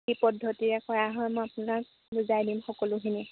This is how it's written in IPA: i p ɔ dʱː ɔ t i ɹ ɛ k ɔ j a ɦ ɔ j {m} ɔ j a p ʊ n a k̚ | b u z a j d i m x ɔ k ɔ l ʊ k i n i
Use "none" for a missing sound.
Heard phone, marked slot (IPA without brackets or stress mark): m